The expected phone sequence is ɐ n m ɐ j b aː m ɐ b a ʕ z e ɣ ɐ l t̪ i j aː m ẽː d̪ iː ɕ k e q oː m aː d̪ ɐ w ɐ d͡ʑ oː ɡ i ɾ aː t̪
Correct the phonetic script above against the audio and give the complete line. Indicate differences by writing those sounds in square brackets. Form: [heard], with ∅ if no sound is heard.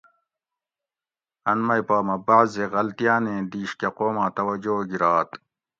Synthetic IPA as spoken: ɐ n m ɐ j [p] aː m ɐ b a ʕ z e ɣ ɐ l t̪ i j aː [n] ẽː d̪ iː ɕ k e q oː m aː [t̪] ɐ w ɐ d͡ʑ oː ɡ i ɾ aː t̪